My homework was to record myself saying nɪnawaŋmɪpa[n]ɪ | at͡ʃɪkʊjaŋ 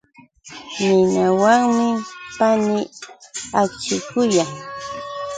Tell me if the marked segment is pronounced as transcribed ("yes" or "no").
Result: yes